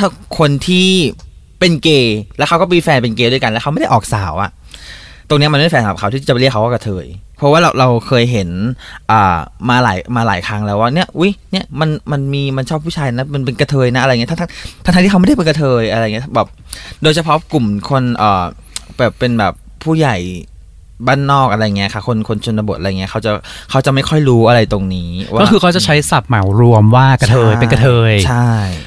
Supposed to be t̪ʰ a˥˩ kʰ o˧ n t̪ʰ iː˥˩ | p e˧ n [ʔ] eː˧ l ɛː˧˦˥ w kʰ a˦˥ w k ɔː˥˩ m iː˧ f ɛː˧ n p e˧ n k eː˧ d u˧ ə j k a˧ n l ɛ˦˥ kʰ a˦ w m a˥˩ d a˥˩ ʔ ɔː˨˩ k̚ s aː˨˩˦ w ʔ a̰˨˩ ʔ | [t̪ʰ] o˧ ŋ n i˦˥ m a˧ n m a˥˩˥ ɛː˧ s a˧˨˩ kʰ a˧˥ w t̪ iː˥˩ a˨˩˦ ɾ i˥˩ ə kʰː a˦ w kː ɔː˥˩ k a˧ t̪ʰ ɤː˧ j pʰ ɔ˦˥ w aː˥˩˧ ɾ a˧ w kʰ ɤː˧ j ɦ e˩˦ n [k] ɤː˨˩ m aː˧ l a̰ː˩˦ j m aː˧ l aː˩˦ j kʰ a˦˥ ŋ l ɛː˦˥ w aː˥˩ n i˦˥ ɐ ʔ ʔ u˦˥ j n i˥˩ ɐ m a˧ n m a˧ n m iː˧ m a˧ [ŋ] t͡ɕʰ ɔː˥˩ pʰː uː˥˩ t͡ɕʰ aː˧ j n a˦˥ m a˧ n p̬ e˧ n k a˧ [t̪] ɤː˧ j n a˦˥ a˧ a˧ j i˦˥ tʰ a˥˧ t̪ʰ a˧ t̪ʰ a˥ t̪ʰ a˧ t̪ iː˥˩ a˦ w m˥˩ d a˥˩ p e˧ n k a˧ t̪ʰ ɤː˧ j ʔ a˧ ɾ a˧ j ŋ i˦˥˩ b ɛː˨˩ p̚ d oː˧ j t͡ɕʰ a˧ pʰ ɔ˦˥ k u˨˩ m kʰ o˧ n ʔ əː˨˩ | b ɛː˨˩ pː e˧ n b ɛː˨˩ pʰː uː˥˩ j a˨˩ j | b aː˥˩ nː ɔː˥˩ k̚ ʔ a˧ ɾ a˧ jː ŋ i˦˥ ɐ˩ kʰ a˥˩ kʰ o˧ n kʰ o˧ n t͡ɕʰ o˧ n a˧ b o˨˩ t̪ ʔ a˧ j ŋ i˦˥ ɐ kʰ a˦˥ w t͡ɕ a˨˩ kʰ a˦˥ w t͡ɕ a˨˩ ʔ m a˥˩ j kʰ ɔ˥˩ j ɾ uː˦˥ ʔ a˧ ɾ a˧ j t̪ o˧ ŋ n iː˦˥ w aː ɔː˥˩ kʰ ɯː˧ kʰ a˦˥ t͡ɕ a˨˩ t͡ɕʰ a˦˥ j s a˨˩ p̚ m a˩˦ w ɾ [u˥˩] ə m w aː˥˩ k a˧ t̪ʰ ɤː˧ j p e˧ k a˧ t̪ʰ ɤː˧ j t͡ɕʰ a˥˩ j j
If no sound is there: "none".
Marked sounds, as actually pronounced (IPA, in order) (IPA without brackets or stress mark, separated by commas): k, t̪, ʔ, n, t̪ʰ, u˧